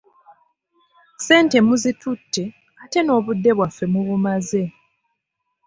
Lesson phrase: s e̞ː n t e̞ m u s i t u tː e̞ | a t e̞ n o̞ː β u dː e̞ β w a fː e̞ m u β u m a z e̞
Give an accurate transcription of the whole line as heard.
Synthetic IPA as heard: s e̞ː n t e̞ m u z i t u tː e̞ | a t e̞ n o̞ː β u dː e̞ β w a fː e̞ m u β u m a z e̞